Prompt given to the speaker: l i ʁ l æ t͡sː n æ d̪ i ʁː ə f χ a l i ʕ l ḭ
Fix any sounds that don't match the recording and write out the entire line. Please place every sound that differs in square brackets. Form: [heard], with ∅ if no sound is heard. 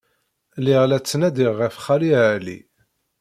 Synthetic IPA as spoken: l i ʁ l æ t͡sː n æ d̪ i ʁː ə f χ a l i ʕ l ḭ